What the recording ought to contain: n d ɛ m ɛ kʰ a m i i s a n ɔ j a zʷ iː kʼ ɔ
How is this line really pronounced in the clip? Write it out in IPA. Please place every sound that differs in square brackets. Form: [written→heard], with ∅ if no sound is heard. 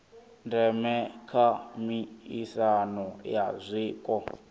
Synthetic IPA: n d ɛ m ɛ kʰ a m i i s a n ɔ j a zʷ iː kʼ ɔ